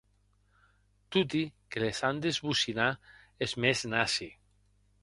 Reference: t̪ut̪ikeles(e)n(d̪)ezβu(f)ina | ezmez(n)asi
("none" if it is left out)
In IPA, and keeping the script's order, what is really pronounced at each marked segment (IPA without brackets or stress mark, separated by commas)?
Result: a, d̪, s, n